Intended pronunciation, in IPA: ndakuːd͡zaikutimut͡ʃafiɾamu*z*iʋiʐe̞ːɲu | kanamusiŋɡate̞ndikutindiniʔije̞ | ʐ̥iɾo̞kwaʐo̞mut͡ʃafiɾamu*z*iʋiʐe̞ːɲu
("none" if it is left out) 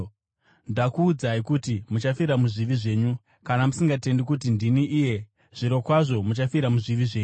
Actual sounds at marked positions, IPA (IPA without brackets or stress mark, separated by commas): ʐ, ʐ